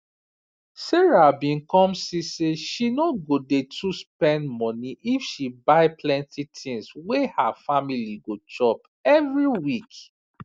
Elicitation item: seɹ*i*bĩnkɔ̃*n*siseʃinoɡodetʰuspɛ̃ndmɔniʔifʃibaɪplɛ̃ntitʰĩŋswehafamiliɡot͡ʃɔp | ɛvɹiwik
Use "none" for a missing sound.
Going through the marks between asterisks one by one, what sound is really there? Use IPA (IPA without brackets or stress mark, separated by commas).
a, m